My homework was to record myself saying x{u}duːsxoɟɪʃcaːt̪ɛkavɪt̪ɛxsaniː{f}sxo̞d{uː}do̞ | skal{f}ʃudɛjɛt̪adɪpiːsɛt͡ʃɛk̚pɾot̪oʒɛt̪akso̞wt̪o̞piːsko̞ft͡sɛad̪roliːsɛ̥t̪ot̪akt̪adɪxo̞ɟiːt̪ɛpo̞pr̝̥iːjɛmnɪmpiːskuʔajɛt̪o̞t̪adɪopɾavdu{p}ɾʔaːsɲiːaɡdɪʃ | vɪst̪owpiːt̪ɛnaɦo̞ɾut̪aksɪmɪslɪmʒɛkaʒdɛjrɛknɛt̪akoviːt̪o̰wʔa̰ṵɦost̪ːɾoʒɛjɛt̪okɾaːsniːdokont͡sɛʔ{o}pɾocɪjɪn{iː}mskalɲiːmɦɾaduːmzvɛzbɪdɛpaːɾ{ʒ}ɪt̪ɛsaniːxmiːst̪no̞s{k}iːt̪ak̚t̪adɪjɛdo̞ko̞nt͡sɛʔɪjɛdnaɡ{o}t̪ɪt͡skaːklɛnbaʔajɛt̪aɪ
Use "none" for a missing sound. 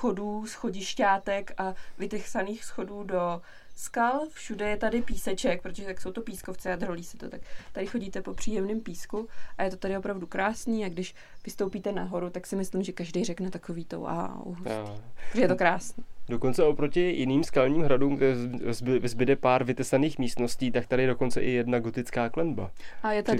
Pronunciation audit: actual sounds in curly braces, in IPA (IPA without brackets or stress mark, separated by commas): o, x, uː, f, k, o, iː, v, c, o